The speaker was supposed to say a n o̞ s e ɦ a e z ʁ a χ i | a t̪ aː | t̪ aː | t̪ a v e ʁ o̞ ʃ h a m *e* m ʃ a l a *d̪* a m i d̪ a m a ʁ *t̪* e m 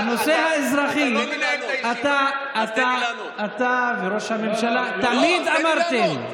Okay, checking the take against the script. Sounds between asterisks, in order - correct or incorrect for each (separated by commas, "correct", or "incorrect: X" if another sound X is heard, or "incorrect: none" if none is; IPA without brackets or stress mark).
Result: correct, incorrect: t̪, correct